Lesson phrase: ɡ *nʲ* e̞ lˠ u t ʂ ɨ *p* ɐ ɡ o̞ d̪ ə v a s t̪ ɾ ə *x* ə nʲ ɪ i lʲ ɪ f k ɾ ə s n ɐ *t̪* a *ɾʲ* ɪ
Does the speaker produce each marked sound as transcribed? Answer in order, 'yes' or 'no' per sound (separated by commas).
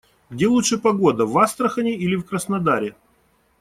no, yes, yes, no, yes